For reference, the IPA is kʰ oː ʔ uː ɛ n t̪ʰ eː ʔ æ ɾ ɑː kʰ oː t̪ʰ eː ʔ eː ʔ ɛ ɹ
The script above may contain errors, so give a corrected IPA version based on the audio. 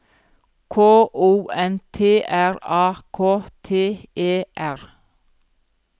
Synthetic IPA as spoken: kʰ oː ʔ uː ɛ n t̪ʰ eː ʔ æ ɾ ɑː kʰ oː t̪ʰ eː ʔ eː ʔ æ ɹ